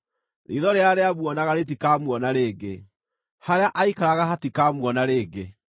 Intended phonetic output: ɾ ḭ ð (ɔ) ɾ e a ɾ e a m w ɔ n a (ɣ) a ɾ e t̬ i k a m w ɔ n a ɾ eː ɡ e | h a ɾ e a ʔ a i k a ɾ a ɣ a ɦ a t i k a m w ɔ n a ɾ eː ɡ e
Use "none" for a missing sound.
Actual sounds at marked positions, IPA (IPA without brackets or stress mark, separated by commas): ɔ, ɣ